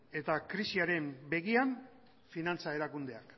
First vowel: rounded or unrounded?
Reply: unrounded